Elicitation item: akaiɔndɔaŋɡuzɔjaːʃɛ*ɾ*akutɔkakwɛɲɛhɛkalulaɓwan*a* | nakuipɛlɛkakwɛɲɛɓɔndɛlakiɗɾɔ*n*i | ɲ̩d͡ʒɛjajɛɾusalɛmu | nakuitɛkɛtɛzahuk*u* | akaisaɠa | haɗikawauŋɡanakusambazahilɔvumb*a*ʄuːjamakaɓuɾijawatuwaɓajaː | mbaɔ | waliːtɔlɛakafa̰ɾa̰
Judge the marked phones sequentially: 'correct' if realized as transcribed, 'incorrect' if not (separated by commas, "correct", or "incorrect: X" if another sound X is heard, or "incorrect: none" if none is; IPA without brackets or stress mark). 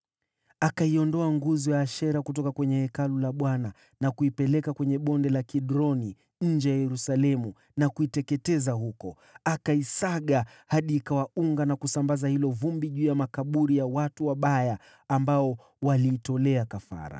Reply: correct, correct, correct, incorrect: ɔ, incorrect: i